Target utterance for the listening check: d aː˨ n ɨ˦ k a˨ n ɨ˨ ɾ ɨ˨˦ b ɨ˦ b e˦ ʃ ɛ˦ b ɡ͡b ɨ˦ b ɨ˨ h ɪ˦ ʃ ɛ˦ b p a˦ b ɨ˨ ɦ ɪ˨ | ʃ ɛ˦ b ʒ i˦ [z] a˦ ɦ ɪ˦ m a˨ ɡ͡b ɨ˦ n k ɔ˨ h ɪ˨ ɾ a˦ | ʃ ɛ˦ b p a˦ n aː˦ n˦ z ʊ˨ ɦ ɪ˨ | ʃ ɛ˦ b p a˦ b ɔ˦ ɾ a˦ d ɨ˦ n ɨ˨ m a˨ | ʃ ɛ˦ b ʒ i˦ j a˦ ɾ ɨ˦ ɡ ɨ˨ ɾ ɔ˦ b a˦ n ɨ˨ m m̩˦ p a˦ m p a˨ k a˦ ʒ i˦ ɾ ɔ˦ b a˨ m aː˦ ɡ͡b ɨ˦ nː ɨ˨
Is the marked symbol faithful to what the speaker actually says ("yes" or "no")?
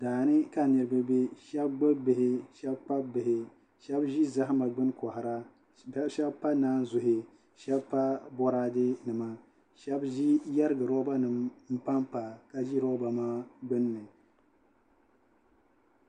yes